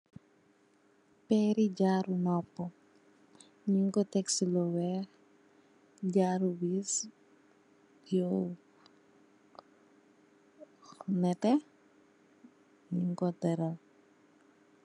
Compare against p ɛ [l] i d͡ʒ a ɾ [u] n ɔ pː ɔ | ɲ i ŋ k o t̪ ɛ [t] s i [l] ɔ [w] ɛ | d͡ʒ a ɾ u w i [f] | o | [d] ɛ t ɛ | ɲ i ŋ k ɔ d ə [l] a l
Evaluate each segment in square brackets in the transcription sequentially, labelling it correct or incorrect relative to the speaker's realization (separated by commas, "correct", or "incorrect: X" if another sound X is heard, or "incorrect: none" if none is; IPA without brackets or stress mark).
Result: incorrect: ɾ, correct, incorrect: k, correct, correct, incorrect: s, incorrect: n, incorrect: ɾ